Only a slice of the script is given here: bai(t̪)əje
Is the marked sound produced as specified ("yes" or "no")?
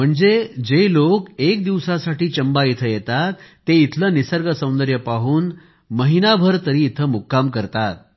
no